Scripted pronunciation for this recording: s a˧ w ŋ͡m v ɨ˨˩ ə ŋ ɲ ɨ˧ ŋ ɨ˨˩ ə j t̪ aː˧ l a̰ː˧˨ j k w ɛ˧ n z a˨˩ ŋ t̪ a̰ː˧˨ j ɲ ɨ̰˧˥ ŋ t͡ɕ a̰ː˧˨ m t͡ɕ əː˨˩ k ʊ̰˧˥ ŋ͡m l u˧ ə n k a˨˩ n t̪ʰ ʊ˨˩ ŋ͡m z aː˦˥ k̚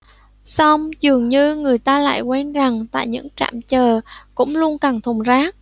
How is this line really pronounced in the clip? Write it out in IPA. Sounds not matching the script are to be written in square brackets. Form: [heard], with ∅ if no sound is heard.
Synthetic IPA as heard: s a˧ w ŋ͡m [z] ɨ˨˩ ə ŋ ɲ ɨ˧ ŋ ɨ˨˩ ə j t̪ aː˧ l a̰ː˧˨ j k w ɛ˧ n z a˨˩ ŋ t̪ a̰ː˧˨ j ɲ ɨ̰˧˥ ŋ t͡ɕ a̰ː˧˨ m t͡ɕ əː˨˩ k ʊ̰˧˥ ŋ͡m l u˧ ə n k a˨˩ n t̪ʰ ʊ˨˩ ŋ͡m z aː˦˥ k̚